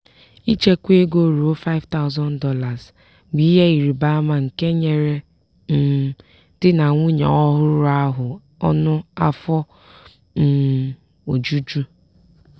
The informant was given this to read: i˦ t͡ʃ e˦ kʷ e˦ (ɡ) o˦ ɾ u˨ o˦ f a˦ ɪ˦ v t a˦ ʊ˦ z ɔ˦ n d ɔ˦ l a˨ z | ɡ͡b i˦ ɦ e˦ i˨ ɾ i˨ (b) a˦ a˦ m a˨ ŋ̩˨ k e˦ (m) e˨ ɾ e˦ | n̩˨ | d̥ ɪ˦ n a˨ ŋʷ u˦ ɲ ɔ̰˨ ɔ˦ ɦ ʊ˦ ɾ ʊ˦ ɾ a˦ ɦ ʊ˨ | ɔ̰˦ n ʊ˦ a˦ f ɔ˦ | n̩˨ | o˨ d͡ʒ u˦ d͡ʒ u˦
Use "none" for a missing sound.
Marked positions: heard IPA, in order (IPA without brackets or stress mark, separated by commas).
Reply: ɡ, b, ɲ